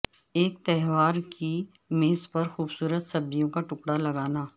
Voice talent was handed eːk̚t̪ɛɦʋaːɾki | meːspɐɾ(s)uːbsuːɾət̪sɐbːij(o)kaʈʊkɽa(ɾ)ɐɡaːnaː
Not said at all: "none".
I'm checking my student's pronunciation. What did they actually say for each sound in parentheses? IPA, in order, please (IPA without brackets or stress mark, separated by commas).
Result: x, õ, l